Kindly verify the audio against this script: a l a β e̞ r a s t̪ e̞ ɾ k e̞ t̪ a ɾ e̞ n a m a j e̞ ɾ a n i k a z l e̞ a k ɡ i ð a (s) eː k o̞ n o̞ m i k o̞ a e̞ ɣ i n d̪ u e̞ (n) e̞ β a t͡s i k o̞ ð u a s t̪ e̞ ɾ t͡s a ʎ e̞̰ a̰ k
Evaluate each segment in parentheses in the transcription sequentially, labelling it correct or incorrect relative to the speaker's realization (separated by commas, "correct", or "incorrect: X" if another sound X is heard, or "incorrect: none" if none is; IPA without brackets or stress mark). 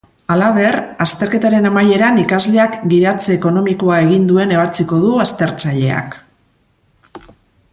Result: incorrect: t͡s, correct